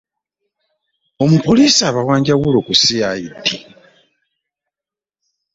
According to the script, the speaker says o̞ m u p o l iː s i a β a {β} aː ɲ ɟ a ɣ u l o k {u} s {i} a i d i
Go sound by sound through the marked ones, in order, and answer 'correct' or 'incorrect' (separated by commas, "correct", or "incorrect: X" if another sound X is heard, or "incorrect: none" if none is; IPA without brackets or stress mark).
incorrect: w, correct, correct